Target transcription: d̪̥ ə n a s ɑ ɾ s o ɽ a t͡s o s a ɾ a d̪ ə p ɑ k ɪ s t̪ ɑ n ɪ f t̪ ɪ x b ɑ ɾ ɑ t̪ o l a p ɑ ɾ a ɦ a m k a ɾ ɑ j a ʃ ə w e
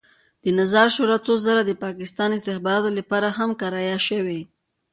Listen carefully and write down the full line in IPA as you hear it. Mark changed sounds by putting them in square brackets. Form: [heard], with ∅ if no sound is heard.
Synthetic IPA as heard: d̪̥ ə n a [z] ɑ ɾ [ʃ] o [ɾ] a t͡s o [z] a ɾ a d̪ ə p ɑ k ɪ s t̪ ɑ n ɪ [s] t̪ ɪ x b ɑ ɾ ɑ t̪ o l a p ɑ ɾ a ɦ a m k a ɾ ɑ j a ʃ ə w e